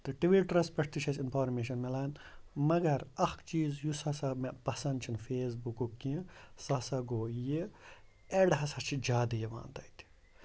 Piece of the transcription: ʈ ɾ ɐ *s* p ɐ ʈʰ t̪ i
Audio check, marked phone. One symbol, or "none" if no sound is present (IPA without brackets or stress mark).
s